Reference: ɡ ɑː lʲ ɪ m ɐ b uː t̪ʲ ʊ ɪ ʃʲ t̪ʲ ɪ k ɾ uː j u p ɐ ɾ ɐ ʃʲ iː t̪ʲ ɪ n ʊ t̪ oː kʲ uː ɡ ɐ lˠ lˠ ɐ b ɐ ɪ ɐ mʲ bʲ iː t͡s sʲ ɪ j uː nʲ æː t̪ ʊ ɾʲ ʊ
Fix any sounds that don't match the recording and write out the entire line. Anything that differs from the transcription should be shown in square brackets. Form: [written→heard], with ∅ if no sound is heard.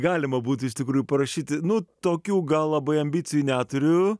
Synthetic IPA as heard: ɡ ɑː lʲ ɪ m ɐ b uː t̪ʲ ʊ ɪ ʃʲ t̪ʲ ɪ k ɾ uː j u p ɐ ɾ ɐ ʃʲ iː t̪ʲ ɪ n ʊ t̪ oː kʲ uː ɡ ɐ lˠ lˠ ɐ b ɐ ɪ ɐ mʲ bʲ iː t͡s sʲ ɪ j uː nʲ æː t̪ ʊ ɾʲ ʊ